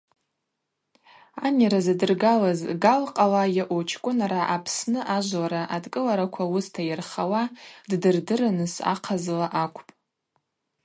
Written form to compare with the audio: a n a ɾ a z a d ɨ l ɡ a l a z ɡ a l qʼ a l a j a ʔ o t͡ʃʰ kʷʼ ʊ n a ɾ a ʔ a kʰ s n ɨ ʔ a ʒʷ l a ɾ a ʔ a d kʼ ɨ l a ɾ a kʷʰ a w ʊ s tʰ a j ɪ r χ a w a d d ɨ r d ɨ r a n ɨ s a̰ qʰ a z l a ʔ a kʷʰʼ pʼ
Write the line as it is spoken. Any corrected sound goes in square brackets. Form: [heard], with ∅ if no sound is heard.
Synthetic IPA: a n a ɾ a z a d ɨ [r] ɡ a l a z ɡ a l qʼ a l a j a ʔ o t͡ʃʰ kʷʼ ʊ n a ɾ a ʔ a [pʰ] s n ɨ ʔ a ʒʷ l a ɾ a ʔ a d kʼ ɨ l a ɾ a kʷʰ a w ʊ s tʰ a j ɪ r χ a w a d d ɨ r d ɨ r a n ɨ s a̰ qʰ a z l a ʔ a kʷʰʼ pʼ